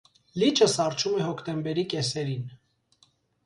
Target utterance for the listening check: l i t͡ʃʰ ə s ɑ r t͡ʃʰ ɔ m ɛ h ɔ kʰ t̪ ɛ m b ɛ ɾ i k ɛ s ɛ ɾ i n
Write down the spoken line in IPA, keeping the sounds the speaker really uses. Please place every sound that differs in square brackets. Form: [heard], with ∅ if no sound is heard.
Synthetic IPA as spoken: l i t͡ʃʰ ə s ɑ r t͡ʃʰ [u] m ɛ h ɔ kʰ t̪ ɛ m b ɛ ɾ i k ɛ s ɛ ɾ i n